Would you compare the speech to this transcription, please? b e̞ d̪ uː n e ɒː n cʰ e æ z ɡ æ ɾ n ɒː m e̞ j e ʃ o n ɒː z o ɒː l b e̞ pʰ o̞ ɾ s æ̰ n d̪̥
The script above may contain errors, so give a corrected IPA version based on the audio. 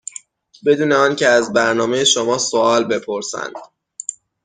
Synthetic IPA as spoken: b e̞ d̪ uː n e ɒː n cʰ e æ z b æ ɾ n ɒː m e̞ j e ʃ o m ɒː s o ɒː l b e̞ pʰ o̞ ɾ s æ̰ n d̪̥